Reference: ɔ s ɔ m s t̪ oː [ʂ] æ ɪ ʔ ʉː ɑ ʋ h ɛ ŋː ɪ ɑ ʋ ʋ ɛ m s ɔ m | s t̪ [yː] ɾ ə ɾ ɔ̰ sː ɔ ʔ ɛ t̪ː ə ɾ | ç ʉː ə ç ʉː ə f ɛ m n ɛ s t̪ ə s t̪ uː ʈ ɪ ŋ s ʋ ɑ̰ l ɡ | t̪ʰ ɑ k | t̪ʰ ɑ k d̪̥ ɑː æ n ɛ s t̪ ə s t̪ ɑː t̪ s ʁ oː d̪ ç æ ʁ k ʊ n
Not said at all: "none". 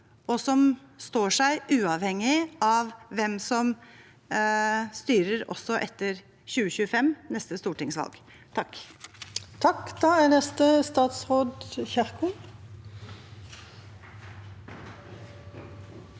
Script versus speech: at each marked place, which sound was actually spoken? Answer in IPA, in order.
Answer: ʂ, yː

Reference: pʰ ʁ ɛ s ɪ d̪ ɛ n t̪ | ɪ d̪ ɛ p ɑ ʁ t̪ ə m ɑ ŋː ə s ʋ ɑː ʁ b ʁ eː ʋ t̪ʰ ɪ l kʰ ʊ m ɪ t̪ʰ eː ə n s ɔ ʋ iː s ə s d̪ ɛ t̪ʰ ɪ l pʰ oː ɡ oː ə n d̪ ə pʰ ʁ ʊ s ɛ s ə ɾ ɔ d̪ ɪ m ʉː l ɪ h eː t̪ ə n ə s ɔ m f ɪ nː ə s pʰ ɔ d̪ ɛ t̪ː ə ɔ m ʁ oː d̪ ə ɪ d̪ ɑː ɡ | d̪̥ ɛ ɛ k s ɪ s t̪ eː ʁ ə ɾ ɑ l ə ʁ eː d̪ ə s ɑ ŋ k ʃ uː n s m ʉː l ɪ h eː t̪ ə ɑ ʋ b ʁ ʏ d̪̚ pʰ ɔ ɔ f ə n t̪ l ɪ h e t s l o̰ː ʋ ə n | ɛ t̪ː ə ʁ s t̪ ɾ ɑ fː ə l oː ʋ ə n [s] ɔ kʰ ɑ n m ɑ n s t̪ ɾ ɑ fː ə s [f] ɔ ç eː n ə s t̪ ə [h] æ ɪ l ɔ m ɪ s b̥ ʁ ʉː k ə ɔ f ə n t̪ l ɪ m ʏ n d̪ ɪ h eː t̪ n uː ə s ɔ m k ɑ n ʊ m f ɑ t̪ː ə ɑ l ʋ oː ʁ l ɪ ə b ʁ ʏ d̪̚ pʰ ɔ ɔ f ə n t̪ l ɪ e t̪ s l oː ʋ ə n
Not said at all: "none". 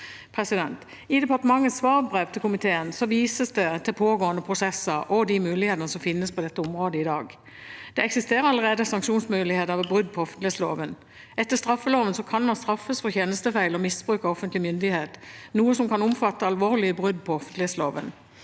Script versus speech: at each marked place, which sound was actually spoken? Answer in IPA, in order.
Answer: s, f, f

